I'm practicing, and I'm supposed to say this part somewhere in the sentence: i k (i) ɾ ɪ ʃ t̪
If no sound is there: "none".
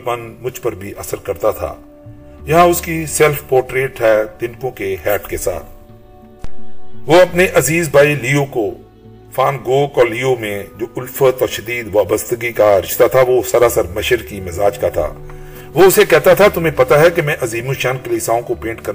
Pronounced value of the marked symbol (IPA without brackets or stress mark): a